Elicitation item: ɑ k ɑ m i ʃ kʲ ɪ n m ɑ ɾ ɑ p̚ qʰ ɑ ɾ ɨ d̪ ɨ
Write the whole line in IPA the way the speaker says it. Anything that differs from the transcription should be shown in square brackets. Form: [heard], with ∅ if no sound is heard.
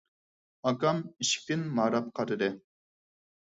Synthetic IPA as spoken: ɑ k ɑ m i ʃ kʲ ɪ n m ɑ ɾ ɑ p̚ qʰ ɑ ɾ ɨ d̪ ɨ